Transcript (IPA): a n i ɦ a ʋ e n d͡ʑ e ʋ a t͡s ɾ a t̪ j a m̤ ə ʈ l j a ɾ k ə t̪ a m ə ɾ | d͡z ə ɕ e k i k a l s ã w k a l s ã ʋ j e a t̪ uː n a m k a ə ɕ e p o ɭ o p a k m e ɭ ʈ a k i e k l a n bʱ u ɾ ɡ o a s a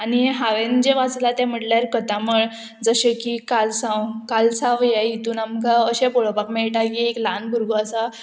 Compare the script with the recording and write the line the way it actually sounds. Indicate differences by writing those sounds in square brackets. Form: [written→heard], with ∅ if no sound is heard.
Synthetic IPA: a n i ɦ a ʋ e n d͡ʑ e ʋ a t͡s [ɾ→l] a t̪ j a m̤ ə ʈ l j a ɾ k ə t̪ a m ə [ɾ→ɭ] | d͡z ə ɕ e k i k a l s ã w k a l s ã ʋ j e [a→i] t̪ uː n a m k a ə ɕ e p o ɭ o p a k m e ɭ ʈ a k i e k l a n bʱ u ɾ ɡ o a s a